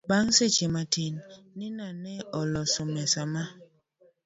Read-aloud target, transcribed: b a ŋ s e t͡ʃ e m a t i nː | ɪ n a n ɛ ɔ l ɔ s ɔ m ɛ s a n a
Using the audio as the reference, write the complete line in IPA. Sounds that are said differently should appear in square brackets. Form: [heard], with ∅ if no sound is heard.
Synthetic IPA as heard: b a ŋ s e t͡ʃ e m a t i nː | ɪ n a n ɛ ɔ l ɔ s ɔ m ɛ s a [m] a